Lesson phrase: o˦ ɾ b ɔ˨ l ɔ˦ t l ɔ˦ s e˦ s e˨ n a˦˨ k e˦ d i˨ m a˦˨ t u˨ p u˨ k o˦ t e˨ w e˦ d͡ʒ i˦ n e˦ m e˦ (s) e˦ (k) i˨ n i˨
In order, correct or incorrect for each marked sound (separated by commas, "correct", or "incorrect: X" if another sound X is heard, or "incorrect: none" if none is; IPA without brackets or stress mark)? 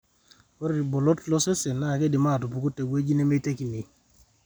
incorrect: t, correct